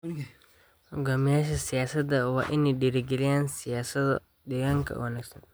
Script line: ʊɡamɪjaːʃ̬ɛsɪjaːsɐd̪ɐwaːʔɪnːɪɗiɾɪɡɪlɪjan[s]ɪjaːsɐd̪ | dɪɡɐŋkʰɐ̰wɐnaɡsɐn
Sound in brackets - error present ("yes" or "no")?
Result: no